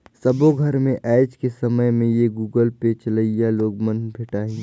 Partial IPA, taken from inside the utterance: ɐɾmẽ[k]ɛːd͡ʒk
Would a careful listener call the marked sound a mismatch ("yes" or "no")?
yes